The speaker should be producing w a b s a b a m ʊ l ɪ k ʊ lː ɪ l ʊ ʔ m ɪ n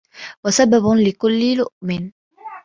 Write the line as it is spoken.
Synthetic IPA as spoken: w a s a b a b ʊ l ɪ k ʊ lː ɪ l ʊ ʔ m ɪ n